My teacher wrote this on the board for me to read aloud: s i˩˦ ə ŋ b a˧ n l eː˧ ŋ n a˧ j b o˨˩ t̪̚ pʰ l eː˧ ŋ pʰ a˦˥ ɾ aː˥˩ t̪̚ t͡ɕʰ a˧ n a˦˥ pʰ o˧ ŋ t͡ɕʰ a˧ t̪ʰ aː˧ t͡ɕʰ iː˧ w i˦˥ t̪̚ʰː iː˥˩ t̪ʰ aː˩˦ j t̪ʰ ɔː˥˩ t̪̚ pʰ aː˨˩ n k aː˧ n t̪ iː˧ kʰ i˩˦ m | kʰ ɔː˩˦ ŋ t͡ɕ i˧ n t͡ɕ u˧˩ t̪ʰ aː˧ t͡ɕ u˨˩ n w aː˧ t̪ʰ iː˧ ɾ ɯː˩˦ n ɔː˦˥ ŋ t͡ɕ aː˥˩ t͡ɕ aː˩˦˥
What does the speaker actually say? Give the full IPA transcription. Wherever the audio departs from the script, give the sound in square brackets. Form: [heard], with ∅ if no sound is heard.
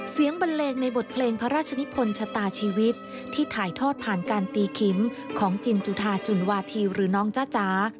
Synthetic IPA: s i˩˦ ə ŋ b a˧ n l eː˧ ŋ n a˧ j b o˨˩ t̪̚ pʰ l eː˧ ŋ pʰ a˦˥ ɾ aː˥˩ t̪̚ t͡ɕʰ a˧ n [i˦˥] pʰ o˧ [n] t͡ɕʰ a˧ [t̪] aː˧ t͡ɕʰ iː˧ w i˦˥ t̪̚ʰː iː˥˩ t̪ʰ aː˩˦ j t̪ʰ ɔː˥˩ t̪̚ pʰ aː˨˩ n k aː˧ n t̪ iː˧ kʰ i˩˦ m | kʰ ɔː˩˦ ŋ t͡ɕ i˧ n t͡ɕ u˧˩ t̪ʰ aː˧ t͡ɕ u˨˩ n w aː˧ t̪ʰ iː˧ ɾ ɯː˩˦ n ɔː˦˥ ŋ t͡ɕ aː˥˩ t͡ɕ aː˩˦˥

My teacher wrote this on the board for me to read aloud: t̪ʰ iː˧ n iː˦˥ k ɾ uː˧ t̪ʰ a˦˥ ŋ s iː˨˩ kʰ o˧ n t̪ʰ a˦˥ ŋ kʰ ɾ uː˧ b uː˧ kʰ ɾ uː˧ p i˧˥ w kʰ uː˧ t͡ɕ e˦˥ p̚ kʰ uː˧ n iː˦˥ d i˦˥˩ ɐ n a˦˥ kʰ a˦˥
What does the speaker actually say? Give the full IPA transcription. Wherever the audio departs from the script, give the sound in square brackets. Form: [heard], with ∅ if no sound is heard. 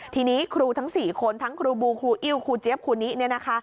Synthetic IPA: t̪ʰ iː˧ n iː˦˥ [kʰ] ɾ uː˧ t̪ʰ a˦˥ ŋ s iː˨˩ kʰ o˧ n t̪ʰ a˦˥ ŋ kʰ ɾ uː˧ b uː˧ kʰ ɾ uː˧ [ʔ] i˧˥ w kʰ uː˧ t͡ɕ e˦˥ p̚ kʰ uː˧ n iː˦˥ [n] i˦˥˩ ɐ n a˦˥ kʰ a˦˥

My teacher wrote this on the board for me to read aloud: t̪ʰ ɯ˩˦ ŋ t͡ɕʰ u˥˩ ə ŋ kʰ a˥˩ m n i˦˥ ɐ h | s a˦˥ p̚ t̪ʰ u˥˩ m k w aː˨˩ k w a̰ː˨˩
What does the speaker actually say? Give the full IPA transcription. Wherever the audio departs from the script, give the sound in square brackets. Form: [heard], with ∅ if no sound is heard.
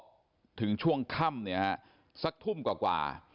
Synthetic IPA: t̪ʰ ɯ˩˦ ŋ t͡ɕʰ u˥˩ ə ŋ kʰ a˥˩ m n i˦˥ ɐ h | s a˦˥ [k̚] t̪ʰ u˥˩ m k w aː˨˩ k w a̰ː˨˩

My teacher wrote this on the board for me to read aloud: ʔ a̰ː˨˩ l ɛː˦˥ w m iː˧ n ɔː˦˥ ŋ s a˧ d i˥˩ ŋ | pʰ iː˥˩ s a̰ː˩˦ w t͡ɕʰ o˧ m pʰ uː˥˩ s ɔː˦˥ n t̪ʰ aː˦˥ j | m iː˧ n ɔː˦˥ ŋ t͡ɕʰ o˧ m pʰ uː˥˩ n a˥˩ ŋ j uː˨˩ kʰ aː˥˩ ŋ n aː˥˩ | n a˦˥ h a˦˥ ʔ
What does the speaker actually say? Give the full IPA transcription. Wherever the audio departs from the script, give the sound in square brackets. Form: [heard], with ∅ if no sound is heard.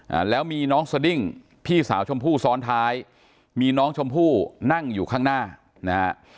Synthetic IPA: ʔ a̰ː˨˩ l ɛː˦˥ w m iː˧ n ɔː˦˥ ŋ s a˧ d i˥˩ ŋ | pʰ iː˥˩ s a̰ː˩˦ w t͡ɕʰ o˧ m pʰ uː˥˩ s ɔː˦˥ n t̪ʰ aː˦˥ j | m iː˧ n ɔː˦˥ ŋ t͡ɕʰ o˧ m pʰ uː˥˩ n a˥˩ ŋ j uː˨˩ kʰ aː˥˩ ŋ n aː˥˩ | n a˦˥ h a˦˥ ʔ

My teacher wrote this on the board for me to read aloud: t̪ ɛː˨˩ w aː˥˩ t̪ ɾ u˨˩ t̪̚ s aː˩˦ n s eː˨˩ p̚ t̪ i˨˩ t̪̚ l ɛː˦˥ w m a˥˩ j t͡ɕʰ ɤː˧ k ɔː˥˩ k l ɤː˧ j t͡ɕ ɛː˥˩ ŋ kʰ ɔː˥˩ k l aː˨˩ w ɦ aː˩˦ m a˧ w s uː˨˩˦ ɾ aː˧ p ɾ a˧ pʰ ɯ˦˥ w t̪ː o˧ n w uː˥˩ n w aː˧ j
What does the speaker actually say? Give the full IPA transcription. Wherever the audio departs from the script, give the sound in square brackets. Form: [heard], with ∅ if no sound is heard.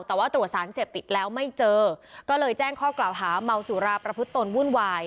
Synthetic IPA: t̪ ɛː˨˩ w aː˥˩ t̪ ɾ u˨˩ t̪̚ s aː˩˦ n s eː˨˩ p̚ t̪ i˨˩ t̪̚ l ɛː˦˥ w m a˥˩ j [t͡ɕ] ɤː˧ k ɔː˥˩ [∅] l ɤː˧ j t͡ɕ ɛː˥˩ ŋ kʰ ɔː˥˩ k l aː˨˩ w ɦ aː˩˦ m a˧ w s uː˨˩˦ ɾ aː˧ p ɾ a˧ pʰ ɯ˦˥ [∅] t̪ː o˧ n w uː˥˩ n w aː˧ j

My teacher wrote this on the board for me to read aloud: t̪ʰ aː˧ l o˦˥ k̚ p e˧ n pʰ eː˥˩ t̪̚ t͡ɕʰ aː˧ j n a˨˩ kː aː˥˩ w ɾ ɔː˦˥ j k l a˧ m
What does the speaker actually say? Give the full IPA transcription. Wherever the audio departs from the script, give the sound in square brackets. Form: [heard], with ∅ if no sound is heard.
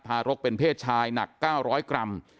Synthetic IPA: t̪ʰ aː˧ [ɾ] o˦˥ k̚ p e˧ n pʰ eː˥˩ t̪̚ t͡ɕʰ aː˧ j n a˨˩ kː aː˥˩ w ɾ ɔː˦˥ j k [ɾ] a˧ m

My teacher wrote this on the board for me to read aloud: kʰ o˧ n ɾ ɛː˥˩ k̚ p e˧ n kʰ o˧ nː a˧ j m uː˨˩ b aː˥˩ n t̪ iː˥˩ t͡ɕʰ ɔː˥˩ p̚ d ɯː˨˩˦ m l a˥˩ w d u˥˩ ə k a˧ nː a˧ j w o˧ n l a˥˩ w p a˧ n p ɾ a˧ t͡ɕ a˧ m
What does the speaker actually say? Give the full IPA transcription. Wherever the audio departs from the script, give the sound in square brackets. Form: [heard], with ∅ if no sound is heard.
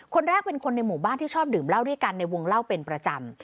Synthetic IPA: kʰ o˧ n ɾ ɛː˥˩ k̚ p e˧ n kʰ o˧ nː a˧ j m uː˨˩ b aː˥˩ n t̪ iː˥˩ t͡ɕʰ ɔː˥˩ p̚ d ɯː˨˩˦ m l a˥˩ w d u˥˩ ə k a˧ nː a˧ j w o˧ [ŋ] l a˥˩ w p [e˧] n p ɾ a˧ t͡ɕ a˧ m

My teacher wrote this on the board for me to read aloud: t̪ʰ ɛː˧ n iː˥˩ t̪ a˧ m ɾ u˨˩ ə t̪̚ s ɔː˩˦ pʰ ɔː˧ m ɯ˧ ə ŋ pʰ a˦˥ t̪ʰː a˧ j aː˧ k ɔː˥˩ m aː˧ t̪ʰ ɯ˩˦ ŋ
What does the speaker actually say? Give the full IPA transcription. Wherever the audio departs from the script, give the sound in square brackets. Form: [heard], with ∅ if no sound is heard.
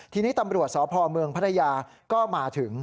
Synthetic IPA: t̪ʰ [iː˧] n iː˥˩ t̪ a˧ m ɾ u˨˩ ə t̪̚ s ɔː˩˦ pʰ ɔː˧ m ɯ˧ ə ŋ pʰ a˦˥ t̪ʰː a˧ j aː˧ k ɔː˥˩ m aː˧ t̪ʰ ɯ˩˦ ŋ

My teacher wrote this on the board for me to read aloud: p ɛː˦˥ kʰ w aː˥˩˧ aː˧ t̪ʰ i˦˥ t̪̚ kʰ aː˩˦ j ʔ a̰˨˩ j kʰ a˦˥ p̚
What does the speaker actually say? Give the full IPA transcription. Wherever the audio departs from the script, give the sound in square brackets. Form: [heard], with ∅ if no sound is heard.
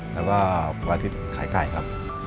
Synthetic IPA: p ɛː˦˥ [∅] w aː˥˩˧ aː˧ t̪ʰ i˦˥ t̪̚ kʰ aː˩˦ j [k] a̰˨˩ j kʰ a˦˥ p̚

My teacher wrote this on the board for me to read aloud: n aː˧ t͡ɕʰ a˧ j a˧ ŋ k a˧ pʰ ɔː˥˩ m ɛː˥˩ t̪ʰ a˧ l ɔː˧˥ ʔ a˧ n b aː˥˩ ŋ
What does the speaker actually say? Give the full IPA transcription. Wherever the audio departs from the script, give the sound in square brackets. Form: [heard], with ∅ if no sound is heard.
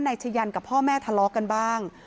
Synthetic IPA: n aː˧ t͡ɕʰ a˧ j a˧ [n] k [a˨˩] pʰ ɔː˥˩ m ɛː˥˩ t̪ʰ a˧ l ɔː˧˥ [k] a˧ n b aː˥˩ ŋ

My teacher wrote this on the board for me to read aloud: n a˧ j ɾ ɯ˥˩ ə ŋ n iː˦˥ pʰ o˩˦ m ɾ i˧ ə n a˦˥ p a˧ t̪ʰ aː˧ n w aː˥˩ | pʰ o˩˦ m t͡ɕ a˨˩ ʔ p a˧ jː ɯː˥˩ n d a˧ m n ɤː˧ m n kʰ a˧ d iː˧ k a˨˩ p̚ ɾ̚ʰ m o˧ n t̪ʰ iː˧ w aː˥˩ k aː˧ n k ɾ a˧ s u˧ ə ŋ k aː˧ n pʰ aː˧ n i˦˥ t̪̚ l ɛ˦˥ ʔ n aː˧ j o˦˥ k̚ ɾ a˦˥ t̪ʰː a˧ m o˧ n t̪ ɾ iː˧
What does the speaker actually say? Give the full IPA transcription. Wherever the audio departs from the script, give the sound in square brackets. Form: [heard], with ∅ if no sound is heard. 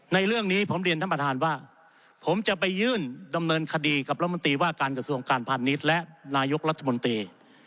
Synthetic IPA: n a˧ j ɾ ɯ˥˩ ə ŋ n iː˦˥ pʰ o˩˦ m ɾ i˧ ə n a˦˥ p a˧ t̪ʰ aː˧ n w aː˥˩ | pʰ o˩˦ m t͡ɕ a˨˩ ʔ p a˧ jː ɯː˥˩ n d a˧ m n ɤː˧ [∅] n kʰ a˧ d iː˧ k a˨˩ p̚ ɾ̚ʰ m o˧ n [t̪] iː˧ w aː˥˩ k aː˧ n k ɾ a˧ s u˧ ə ŋ k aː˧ n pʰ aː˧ n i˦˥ t̪̚ l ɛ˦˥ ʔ n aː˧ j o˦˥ k̚ ɾ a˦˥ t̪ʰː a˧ m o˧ n t̪ ɾ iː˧

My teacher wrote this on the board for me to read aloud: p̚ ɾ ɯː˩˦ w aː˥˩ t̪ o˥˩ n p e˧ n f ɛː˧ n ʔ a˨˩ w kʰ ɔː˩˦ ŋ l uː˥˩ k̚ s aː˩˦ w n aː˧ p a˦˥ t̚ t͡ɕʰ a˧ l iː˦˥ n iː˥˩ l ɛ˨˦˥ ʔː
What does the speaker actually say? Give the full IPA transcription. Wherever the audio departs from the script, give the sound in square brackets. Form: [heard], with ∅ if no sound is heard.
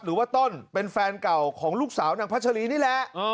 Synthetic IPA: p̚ ɾ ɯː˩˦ w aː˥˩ t̪ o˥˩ n p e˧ n f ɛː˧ n [k] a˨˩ w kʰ ɔː˩˦ ŋ l uː˥˩ k̚ s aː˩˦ w n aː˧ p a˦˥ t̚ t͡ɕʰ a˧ l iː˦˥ n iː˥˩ l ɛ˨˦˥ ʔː

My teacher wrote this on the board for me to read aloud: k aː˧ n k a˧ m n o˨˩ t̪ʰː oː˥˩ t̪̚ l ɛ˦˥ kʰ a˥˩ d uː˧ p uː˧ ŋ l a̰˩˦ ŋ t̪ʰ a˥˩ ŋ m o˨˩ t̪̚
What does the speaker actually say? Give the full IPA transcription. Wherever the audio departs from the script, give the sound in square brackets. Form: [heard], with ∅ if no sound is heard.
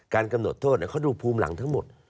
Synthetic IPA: k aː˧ n k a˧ m n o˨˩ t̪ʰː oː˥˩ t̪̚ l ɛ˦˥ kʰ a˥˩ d uː˧ [pʰ] uː˧ [m] l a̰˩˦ ŋ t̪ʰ [a˦˥] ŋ m o˨˩ t̪̚

